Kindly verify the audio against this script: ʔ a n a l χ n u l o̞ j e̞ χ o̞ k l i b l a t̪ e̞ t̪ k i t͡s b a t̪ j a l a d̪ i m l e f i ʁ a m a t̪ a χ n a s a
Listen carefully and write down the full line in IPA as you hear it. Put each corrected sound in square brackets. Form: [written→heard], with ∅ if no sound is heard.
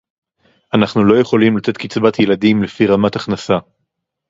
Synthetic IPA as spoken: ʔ a n a [l→∅] χ n u l o̞ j e̞ χ o̞ [k→∅] l i [b→m] l a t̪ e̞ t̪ k i t͡s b a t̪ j [a→e] l a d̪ i m l e f i ʁ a m a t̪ a χ n a s a